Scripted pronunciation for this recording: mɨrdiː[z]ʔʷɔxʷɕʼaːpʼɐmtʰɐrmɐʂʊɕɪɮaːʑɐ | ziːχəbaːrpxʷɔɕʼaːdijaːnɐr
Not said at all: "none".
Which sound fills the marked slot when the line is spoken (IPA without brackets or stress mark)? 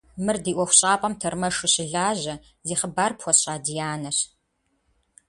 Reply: none